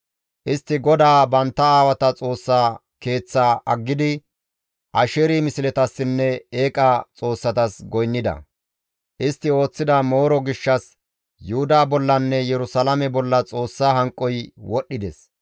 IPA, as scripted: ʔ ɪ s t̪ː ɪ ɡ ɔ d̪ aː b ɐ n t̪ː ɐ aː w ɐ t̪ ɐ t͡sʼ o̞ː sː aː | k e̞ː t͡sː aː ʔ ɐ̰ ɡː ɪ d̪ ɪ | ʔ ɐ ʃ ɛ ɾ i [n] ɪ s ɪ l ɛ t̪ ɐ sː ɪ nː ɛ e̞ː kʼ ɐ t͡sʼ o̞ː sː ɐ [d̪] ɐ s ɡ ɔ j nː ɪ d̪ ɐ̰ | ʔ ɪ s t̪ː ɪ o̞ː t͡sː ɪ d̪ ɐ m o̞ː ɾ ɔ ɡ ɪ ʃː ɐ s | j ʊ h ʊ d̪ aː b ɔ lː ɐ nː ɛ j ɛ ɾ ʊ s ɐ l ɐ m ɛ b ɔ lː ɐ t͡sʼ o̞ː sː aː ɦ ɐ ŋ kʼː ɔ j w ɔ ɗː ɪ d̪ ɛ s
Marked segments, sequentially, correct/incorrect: incorrect: m, incorrect: t̪

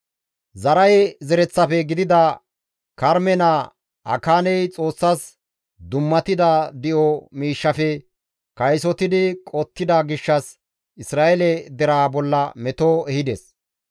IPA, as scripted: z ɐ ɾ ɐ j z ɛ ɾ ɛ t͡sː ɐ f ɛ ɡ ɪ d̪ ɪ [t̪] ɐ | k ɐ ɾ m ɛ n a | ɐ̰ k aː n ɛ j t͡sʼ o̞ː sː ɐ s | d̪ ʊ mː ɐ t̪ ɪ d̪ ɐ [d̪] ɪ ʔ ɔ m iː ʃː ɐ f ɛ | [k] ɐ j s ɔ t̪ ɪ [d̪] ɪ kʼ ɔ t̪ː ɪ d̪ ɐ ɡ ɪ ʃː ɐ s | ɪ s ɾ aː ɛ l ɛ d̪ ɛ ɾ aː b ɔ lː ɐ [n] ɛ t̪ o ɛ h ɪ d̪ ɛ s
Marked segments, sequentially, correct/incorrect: incorrect: d̪, correct, correct, correct, incorrect: m

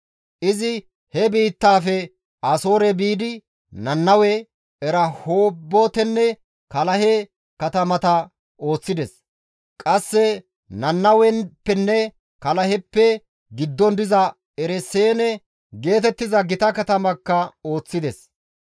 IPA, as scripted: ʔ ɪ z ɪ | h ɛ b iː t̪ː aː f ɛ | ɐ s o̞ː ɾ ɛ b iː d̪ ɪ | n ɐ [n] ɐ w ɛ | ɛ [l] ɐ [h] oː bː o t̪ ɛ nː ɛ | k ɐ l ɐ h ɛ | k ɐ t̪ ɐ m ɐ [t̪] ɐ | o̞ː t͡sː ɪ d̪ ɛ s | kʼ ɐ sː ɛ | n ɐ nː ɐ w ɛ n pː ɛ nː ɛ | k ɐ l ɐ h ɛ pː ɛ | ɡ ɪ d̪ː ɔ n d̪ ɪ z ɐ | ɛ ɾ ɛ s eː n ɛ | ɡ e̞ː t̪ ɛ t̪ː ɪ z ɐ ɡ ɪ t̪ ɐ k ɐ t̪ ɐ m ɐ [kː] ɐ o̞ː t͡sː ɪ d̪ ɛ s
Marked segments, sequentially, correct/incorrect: incorrect: nː, incorrect: ɾ, correct, correct, correct

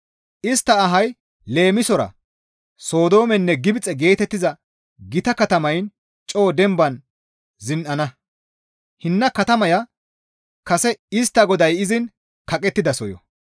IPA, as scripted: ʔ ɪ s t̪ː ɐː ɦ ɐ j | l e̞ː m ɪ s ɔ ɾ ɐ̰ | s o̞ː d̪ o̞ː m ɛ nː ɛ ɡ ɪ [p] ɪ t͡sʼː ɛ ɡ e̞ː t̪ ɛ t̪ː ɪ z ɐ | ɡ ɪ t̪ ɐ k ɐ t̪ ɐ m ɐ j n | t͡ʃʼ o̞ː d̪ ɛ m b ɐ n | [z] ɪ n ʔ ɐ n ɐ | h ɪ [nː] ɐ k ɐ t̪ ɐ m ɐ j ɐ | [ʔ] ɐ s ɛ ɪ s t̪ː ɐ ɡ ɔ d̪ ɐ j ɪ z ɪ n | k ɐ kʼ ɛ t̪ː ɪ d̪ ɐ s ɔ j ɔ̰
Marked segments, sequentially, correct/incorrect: incorrect: b, correct, correct, incorrect: k

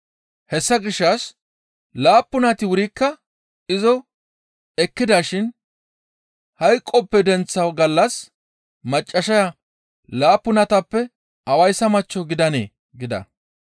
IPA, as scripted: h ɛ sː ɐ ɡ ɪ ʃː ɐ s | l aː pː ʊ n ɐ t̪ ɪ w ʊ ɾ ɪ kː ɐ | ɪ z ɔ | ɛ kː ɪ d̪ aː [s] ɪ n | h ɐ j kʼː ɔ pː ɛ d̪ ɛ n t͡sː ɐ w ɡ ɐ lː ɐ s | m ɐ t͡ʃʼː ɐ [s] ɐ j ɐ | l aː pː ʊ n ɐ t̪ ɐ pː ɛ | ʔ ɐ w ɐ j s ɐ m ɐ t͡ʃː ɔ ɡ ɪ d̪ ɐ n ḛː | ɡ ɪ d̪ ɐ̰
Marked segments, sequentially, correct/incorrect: incorrect: ʃ, incorrect: ʃ

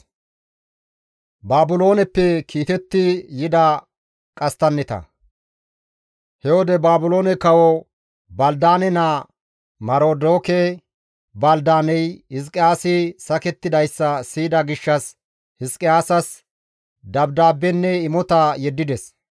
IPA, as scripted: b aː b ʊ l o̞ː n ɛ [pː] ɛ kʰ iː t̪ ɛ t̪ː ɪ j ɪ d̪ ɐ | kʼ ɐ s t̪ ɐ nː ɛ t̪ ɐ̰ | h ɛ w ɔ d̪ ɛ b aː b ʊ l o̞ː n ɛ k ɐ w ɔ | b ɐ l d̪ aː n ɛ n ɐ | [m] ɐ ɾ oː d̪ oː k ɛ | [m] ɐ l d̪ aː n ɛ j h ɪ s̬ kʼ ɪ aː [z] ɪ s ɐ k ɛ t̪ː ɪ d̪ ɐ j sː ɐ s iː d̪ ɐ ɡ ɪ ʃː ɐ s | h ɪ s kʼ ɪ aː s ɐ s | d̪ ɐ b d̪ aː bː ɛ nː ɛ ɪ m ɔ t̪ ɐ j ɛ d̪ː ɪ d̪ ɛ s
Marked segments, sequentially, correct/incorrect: correct, correct, incorrect: b, incorrect: s

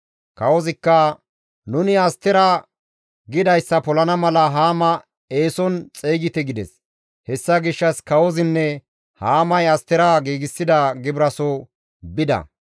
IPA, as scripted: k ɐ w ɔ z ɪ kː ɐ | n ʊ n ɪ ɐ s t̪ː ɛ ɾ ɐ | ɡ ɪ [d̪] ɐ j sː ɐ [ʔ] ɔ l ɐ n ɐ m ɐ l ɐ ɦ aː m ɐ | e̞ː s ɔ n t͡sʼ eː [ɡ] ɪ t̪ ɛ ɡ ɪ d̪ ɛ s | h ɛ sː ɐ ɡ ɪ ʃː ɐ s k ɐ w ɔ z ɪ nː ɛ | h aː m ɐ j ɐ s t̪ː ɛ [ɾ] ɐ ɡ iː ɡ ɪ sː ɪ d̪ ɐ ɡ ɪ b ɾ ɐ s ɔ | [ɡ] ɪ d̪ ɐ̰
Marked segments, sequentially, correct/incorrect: correct, incorrect: p, correct, correct, incorrect: b

